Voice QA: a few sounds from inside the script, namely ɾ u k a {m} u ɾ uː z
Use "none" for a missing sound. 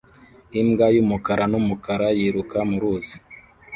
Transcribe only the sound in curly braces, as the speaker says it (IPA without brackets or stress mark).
m